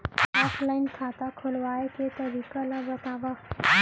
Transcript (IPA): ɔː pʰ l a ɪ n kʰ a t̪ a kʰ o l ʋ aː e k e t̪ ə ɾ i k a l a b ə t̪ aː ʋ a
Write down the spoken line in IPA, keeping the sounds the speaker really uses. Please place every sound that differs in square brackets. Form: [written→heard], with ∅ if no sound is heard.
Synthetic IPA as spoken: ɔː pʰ l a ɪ n kʰ a t̪ a kʰ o l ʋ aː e k e t̪ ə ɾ i k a l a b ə t̪ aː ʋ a